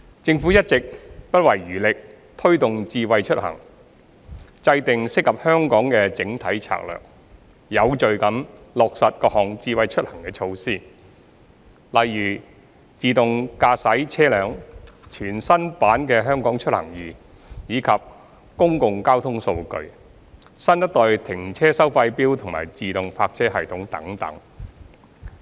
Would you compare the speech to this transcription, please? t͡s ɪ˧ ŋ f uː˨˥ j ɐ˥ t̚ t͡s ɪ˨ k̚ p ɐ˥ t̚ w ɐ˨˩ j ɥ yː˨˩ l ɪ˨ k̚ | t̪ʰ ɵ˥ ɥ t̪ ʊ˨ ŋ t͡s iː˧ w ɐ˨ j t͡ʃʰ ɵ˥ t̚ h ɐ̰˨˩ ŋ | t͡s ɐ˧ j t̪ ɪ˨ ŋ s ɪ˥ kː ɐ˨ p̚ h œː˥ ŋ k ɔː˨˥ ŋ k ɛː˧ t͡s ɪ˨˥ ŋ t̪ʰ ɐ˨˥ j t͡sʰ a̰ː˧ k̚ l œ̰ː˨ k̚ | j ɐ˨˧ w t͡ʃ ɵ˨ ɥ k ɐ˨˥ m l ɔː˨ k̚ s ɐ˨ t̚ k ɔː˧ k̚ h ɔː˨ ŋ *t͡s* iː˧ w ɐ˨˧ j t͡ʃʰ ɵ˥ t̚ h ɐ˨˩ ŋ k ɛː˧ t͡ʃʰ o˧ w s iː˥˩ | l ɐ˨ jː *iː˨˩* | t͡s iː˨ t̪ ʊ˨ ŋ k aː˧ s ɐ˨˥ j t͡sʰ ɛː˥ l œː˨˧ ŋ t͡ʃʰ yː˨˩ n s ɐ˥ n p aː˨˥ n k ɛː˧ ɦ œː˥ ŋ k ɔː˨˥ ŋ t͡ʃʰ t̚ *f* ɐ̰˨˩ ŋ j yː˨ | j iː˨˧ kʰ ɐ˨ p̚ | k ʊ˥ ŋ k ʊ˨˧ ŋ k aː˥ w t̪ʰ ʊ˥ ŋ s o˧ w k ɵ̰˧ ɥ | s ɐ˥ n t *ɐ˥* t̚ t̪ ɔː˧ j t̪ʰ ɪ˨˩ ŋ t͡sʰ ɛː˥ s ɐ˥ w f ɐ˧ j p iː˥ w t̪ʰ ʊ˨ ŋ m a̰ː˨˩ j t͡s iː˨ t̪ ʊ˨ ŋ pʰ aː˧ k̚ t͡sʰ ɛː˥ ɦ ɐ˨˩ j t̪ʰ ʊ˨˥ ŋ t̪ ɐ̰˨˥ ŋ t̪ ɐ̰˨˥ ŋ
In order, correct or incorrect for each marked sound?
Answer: correct, incorrect: yː˨˩, incorrect: h, correct

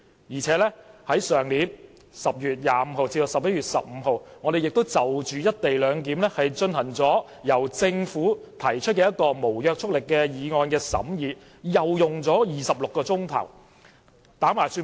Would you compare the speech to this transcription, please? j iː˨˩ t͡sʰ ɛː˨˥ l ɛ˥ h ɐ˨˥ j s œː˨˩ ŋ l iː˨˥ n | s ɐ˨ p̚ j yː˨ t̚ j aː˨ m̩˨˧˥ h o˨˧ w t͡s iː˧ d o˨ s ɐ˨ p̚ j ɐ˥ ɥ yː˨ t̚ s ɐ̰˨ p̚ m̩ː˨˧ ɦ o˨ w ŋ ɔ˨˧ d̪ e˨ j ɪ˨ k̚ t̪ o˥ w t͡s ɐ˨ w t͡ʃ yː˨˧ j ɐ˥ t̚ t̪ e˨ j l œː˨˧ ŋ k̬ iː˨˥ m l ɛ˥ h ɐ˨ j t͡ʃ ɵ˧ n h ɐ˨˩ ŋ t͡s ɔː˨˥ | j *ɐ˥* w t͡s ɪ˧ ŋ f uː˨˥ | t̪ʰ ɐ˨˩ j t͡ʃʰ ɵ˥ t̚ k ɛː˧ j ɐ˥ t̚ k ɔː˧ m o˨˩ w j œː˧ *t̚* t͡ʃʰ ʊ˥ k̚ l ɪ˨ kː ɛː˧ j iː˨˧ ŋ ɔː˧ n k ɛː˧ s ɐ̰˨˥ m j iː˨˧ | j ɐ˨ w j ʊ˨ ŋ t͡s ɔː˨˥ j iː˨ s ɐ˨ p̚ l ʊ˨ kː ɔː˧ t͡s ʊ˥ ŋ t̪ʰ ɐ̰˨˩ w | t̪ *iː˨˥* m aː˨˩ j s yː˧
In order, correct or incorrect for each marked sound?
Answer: incorrect: ɐ˨˩, incorrect: k̚, incorrect: aː˨˥

